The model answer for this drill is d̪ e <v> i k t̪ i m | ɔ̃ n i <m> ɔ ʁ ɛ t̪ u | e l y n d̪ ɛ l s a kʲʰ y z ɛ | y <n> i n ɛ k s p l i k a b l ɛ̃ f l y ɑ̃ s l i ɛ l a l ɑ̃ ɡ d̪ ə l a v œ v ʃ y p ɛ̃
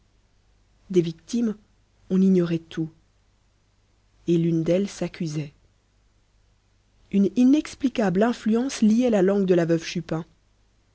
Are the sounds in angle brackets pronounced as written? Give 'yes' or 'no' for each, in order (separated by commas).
yes, no, yes